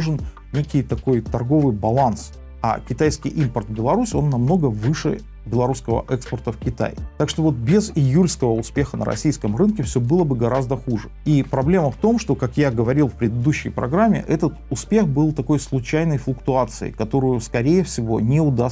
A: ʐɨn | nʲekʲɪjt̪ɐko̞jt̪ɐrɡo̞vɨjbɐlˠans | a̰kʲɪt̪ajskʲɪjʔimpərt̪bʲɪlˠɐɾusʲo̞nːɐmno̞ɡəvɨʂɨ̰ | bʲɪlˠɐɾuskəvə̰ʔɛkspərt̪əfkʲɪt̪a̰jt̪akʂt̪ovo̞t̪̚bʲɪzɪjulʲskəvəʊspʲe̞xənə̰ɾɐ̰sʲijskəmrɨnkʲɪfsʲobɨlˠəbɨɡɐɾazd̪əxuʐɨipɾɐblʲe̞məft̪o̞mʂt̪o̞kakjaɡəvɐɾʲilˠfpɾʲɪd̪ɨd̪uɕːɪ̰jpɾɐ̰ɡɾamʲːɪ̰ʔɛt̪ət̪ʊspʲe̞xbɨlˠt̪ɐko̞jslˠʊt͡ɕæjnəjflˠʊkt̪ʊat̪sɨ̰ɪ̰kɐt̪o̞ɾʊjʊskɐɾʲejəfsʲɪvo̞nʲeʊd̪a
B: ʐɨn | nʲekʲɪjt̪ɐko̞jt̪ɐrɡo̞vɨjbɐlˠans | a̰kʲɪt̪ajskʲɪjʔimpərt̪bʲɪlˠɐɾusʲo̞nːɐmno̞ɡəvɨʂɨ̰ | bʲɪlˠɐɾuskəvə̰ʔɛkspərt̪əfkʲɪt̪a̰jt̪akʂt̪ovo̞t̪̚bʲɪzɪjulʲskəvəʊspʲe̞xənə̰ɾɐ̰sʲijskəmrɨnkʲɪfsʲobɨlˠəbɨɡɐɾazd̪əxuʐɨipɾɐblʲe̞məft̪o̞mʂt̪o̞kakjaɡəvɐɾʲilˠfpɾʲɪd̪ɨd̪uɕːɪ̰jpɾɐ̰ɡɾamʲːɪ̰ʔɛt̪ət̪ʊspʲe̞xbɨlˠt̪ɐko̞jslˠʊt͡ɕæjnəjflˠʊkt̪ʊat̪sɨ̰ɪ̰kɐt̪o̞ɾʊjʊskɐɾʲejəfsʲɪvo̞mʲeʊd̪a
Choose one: A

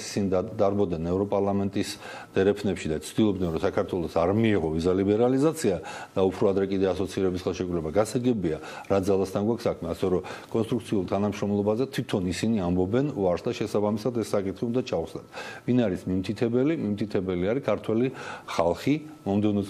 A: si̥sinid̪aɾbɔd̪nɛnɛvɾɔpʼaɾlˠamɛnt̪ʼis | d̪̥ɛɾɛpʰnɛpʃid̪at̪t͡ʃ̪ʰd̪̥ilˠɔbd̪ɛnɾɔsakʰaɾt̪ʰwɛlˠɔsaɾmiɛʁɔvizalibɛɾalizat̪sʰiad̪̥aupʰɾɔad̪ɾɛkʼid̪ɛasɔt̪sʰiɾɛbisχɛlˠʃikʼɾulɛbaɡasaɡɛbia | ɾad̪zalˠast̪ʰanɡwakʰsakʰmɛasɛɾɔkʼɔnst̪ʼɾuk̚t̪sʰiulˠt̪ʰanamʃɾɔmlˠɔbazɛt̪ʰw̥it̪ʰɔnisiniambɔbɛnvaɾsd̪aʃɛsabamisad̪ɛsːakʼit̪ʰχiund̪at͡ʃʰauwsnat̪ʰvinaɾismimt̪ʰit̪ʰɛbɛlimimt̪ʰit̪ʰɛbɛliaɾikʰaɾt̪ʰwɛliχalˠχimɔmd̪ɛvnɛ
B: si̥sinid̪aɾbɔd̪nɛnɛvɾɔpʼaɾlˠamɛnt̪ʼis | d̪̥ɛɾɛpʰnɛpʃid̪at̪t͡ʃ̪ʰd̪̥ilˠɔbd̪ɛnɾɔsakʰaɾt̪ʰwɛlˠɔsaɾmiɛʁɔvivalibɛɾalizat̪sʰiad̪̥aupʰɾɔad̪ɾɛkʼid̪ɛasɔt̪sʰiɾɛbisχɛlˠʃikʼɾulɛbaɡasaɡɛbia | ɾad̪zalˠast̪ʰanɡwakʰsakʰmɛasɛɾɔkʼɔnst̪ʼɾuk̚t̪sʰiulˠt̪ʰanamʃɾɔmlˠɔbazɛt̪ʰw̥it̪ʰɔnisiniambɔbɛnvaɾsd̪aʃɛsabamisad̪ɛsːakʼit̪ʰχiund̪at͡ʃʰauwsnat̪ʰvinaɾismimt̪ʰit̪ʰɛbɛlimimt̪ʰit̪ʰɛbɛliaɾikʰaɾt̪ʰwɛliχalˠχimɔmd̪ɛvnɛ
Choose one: A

